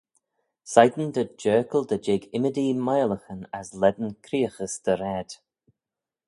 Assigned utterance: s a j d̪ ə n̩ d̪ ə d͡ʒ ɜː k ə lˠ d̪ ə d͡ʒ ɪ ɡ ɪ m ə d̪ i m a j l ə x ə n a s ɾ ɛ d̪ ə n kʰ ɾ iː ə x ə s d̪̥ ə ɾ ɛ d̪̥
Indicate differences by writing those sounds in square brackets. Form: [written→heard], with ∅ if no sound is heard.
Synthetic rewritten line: s a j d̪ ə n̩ d̪ ə d͡ʒ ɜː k ə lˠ d̪ ə d͡ʒ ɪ ɡ ɪ m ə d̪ i m a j l ə x ə n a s [ɾ→l] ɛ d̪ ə n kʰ ɾ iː ə x ə s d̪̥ ə ɾ ɛ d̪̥